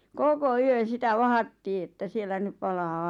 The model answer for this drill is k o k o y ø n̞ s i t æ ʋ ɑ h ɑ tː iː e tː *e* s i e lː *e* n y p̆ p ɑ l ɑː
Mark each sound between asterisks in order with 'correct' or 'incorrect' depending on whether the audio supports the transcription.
incorrect: æ, incorrect: æ

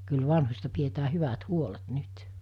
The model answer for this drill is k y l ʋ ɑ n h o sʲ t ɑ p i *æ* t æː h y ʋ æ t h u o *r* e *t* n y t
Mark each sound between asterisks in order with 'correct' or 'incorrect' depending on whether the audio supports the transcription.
incorrect: e, incorrect: l, correct

